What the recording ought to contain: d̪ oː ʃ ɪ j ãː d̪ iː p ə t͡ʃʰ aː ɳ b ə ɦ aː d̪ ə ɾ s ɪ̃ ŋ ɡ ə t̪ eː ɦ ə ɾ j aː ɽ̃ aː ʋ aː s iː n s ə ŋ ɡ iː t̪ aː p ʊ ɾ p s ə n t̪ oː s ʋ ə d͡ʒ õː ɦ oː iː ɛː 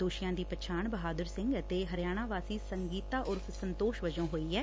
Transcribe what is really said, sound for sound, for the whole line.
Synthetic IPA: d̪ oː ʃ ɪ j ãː d̪ iː p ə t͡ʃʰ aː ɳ b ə ɦ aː d̪ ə ɾ s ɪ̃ ŋ ɡ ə t̪ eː ɦ ə ɾ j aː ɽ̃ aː ʋ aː s iː s ə ŋ ɡ iː t̪ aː ʔ ʊ ɾ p s ə n t̪ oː ʃ ʋ ə d͡ʒ õː ɦ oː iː ɛː